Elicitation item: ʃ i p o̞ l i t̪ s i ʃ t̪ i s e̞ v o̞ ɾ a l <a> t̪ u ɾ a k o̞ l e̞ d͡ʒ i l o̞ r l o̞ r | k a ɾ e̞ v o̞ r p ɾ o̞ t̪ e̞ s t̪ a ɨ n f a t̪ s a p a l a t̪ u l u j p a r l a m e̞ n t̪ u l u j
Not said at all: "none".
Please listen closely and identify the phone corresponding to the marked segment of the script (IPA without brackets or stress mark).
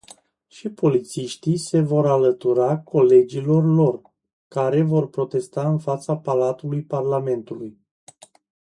ə